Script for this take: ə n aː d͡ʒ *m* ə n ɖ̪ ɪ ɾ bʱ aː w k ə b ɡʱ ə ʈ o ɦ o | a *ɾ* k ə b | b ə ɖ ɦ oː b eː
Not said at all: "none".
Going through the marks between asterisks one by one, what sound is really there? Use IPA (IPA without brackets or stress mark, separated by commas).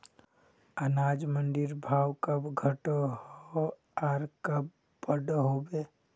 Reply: m, ɾ